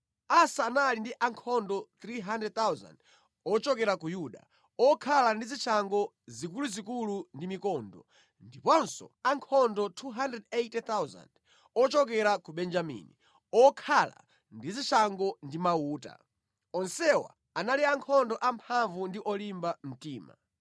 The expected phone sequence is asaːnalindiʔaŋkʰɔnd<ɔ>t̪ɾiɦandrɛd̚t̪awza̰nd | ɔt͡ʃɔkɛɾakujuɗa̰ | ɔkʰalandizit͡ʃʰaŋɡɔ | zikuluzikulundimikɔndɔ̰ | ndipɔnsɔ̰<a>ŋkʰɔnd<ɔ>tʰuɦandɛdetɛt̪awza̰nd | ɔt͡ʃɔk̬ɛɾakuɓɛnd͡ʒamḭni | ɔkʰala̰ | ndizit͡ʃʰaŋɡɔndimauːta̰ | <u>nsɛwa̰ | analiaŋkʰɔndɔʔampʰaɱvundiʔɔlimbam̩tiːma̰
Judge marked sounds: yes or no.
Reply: yes, yes, yes, no

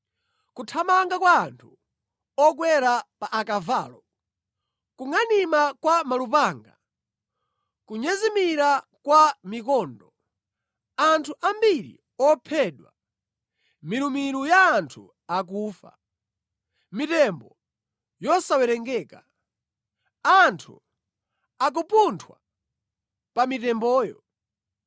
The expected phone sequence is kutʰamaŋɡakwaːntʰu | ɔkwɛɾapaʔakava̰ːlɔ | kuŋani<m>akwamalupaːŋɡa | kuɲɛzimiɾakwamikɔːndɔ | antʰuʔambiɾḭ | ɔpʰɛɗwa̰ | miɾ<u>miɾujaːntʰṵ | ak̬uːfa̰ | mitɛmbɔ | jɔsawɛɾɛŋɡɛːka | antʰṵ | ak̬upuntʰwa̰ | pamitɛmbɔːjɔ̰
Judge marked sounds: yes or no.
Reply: yes, yes

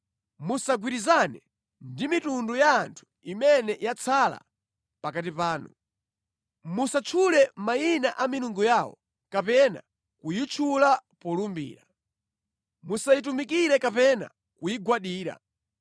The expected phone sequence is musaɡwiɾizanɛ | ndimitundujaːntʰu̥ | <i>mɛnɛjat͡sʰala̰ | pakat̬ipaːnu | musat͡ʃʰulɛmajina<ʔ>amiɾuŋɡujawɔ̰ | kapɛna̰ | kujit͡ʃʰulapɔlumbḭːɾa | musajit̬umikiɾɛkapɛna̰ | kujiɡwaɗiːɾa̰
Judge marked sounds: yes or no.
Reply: yes, yes

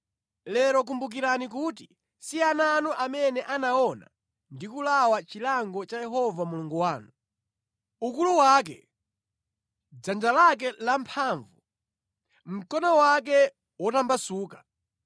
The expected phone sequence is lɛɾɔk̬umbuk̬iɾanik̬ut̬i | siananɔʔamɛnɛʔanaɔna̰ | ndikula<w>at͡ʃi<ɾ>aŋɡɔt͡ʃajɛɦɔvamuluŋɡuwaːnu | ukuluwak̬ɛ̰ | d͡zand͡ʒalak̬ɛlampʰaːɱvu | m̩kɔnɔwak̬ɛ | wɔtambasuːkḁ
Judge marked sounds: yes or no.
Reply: yes, no

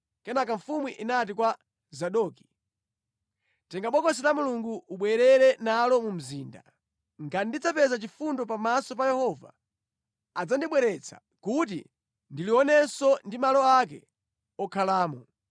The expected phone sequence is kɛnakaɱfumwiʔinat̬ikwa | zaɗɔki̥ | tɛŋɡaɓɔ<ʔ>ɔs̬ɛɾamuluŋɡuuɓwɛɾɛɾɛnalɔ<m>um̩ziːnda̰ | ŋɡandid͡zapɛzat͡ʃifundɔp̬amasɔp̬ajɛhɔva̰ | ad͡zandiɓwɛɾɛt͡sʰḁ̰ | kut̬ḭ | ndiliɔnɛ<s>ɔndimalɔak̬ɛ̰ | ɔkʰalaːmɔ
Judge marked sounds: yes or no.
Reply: no, yes, yes

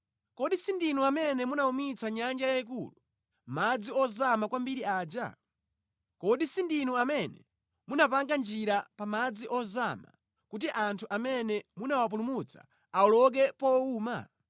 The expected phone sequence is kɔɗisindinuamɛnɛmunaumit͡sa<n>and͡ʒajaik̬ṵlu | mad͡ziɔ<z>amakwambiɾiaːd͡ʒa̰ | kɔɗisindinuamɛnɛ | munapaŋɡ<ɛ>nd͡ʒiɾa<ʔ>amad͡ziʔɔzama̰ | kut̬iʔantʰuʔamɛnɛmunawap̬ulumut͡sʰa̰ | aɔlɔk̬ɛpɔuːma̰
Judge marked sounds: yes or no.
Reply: no, yes, no, no

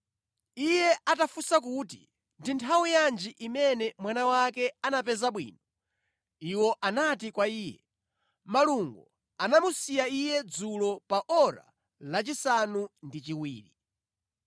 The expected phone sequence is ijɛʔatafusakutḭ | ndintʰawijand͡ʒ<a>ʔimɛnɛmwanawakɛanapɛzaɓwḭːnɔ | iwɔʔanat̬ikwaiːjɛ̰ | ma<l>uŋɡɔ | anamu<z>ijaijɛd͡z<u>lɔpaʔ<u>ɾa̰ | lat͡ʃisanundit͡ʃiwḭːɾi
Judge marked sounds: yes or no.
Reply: no, yes, no, yes, no

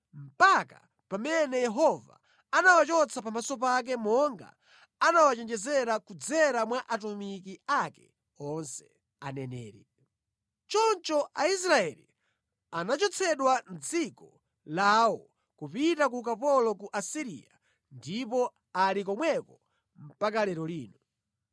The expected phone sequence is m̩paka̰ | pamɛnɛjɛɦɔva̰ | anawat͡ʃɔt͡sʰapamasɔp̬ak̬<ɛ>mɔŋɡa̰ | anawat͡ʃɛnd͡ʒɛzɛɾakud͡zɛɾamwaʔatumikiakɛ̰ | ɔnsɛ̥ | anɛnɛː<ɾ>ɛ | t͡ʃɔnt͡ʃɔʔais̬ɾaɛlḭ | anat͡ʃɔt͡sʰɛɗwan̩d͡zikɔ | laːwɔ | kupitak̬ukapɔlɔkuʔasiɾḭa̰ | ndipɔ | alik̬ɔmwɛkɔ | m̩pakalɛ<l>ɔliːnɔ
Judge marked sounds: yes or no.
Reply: yes, yes, no

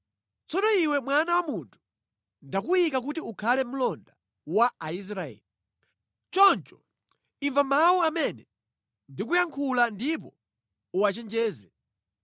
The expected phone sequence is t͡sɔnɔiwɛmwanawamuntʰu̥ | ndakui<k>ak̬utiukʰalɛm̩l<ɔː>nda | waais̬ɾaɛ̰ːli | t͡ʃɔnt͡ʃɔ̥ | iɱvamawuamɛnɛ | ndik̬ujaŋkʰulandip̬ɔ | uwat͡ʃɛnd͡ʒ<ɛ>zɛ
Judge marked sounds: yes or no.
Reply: yes, no, no

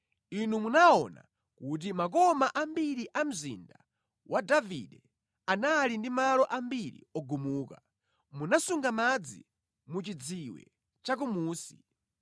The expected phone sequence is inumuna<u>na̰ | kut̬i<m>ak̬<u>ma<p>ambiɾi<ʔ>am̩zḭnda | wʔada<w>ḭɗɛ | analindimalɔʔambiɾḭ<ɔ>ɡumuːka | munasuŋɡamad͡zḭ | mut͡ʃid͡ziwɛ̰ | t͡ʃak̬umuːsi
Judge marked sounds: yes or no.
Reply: no, yes, no, no, yes, no, yes

